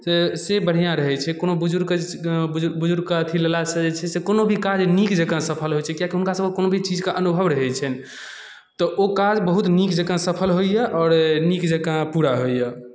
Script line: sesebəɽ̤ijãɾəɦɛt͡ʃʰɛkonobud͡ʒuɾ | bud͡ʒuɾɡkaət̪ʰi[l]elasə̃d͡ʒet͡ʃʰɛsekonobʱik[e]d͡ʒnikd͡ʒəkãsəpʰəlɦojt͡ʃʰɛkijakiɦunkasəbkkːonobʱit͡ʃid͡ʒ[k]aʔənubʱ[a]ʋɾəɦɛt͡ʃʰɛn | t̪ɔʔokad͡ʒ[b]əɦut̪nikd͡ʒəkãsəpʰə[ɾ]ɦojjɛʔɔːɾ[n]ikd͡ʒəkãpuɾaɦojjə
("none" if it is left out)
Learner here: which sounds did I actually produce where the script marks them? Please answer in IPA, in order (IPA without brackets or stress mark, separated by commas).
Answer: l, a, k, ə, b, l, n